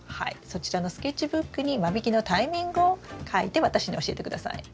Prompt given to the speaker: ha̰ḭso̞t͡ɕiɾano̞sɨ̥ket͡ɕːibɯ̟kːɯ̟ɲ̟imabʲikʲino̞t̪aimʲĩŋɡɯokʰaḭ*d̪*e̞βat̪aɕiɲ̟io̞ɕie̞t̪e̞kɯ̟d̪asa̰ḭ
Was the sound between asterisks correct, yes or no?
no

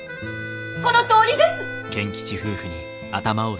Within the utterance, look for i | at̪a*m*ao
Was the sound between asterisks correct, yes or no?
yes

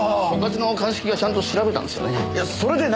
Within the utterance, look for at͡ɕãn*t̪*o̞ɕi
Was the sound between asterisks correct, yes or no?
yes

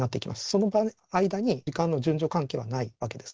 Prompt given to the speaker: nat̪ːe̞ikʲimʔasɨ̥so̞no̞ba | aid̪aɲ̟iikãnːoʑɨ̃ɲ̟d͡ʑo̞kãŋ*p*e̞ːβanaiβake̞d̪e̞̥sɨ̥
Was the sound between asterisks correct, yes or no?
no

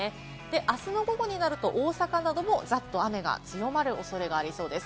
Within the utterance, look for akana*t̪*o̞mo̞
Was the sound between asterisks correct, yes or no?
no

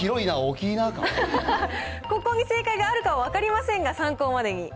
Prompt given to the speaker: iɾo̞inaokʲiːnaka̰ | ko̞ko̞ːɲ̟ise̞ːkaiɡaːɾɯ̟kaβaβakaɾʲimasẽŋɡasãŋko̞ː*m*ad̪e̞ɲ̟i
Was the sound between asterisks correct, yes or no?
yes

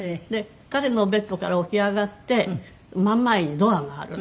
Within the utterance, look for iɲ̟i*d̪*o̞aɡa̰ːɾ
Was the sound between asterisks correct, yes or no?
yes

